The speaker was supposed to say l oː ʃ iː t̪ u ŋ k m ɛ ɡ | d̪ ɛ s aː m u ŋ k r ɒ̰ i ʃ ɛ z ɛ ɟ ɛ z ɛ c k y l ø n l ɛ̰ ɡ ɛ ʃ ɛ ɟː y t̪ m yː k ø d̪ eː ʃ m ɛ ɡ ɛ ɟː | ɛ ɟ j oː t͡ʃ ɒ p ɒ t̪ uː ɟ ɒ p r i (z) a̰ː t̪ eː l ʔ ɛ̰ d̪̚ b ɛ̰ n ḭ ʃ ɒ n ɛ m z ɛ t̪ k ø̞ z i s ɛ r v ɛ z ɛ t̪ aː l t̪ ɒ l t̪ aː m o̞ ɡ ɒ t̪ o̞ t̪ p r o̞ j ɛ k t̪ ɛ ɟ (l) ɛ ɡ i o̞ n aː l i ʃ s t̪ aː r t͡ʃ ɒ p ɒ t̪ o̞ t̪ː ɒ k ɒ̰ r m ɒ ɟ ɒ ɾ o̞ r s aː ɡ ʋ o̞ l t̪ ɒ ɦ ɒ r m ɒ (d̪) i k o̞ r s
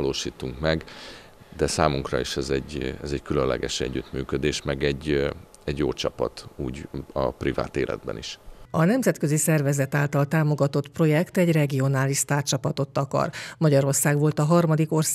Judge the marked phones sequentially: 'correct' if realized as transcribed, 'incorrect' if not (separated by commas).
incorrect, incorrect, correct